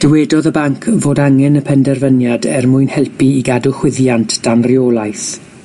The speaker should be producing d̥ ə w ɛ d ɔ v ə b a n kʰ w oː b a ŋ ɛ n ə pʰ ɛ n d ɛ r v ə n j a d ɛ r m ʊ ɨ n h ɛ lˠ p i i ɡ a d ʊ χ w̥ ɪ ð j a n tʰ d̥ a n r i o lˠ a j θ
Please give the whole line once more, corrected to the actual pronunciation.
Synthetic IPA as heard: d̥ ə w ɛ d ɔ ð ə b a ŋ kʰ v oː d a ŋ ɛ n ə pʰ ɛ n d ɛ r v ə n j a d ɛ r m ʊ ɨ n h ɛ lˠ p i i ɡ a d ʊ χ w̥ ɪ ð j a n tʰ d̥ a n r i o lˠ a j θ